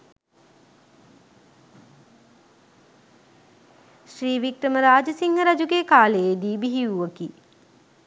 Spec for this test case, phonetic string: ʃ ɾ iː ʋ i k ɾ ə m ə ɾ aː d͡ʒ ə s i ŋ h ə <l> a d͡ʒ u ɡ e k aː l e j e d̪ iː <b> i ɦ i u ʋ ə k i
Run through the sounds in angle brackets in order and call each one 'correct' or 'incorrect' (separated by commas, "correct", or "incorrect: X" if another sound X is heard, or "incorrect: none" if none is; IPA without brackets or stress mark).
incorrect: ɾ, correct